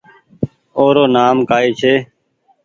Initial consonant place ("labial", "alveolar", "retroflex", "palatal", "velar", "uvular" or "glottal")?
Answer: alveolar